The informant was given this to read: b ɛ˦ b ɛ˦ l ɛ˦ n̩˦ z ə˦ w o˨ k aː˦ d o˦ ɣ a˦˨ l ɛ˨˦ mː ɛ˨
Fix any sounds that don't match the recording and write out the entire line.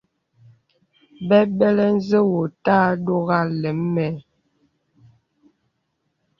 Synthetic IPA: b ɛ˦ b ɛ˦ l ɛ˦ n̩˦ z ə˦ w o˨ t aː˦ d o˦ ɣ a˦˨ l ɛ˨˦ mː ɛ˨